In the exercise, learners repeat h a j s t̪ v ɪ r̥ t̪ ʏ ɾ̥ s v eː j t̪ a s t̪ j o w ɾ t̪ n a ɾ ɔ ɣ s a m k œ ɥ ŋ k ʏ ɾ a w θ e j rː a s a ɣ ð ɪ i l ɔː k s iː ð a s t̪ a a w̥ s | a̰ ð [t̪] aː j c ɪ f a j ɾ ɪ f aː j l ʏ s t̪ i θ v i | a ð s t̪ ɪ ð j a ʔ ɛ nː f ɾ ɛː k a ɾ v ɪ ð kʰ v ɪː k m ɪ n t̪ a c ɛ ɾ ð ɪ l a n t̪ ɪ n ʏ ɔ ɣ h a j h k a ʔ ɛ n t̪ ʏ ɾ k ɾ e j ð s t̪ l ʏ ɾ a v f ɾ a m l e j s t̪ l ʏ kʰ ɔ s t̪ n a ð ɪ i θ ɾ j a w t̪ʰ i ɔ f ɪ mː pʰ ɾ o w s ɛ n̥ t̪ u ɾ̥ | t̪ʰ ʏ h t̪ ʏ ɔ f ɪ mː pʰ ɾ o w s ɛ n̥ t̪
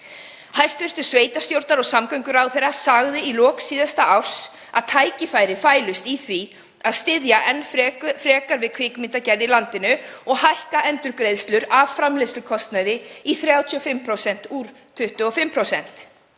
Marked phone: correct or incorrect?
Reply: incorrect